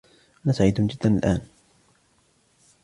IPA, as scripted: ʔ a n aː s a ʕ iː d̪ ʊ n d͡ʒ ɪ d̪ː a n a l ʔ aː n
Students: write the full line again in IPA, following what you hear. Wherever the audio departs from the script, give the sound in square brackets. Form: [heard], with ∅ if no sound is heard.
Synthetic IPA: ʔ a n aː s a ʕ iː d̪ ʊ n d͡ʒ ɪ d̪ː a n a l ʔ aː n